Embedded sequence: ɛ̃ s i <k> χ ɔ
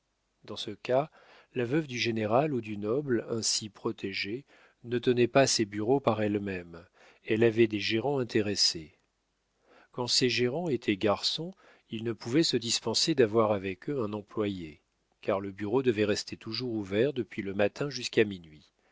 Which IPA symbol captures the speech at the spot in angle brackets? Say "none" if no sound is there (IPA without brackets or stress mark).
p